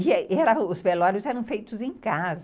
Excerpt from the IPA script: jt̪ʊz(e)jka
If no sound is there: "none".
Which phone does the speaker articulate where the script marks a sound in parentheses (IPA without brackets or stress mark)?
ẽ